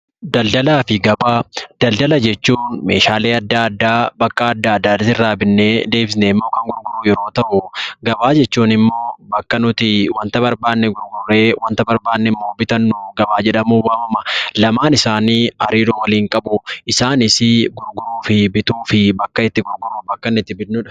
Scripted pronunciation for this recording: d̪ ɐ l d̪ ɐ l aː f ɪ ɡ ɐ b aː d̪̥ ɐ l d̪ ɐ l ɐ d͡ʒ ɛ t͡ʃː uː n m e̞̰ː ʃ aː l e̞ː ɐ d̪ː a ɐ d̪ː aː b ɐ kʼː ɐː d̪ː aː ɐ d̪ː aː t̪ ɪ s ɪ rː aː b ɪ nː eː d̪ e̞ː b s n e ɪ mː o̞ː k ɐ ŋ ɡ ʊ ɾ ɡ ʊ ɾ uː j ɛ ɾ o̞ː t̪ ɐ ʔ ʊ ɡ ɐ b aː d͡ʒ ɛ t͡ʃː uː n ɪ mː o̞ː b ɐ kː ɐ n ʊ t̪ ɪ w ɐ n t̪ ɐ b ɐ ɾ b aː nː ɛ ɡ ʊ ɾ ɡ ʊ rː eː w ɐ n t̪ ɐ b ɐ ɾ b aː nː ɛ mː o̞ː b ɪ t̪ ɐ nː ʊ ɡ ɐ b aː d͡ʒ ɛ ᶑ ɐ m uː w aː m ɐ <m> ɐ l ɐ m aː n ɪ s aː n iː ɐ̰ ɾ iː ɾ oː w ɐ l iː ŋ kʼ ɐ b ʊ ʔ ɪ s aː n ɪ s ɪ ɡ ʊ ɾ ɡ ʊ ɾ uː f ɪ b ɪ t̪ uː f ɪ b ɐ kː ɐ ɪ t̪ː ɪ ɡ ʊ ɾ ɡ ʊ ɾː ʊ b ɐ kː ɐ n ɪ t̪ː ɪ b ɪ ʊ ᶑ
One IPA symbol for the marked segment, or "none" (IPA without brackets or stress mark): m